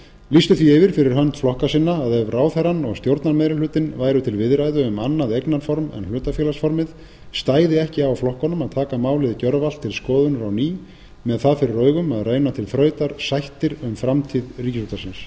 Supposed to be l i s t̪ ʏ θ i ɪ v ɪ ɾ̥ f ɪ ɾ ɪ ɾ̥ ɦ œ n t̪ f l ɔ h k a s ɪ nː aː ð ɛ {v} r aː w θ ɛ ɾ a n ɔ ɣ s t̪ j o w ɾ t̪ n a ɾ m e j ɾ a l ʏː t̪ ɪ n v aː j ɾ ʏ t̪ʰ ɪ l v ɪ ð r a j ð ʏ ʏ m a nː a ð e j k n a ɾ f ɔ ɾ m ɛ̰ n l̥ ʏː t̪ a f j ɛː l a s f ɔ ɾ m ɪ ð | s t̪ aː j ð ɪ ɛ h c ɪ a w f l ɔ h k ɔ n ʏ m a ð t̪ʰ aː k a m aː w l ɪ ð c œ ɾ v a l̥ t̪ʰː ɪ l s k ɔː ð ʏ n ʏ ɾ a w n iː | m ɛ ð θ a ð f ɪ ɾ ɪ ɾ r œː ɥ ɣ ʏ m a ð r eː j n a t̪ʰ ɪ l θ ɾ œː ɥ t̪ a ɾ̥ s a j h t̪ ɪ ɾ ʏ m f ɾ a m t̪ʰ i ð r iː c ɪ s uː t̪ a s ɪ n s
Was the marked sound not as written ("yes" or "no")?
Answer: no